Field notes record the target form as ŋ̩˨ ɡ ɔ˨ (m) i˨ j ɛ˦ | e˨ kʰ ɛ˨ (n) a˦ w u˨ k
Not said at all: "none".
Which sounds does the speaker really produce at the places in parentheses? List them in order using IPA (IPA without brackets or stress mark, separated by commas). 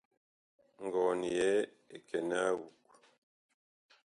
n, n